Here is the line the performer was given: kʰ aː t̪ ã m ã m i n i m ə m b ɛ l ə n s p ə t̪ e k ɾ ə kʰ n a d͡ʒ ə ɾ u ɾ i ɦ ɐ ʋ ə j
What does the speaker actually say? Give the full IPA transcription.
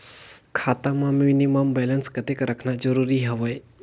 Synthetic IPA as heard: kʰ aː t̪ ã m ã m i n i m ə m b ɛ l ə n s k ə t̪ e k ɾ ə kʰ n a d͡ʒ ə ɾ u ɾ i ɦ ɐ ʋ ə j